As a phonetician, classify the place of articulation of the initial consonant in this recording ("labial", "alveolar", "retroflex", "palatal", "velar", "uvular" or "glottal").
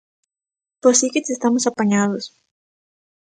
labial